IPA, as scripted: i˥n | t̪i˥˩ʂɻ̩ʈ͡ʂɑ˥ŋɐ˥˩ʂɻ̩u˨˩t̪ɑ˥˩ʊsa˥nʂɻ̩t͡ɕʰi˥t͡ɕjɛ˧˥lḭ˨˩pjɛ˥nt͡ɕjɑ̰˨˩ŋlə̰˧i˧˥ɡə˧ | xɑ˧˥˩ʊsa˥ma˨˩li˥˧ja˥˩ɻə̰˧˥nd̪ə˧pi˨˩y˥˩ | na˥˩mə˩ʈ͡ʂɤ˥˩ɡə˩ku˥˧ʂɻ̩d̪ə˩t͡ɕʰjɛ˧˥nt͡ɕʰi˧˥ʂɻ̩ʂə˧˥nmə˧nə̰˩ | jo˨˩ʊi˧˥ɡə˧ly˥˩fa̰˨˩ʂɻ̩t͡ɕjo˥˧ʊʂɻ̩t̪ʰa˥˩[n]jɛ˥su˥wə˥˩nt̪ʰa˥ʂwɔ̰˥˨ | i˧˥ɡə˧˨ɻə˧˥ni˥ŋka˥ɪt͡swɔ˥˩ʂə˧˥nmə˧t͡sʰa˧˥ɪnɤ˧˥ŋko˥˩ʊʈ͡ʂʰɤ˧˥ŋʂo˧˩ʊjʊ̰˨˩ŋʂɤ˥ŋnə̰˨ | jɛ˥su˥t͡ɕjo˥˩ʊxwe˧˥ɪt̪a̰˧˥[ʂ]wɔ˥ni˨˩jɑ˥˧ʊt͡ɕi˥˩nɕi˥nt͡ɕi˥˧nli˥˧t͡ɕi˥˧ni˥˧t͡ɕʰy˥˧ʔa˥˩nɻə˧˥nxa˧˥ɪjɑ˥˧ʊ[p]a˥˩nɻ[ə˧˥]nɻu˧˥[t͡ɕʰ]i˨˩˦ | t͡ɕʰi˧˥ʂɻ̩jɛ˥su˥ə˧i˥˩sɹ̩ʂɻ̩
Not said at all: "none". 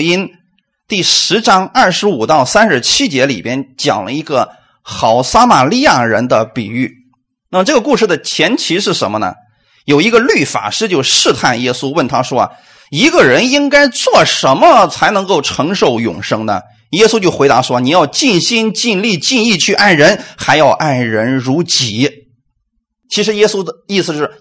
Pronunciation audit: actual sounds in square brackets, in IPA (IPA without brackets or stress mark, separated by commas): n, ʂ, ʔ, ə˧˥, t͡ɕ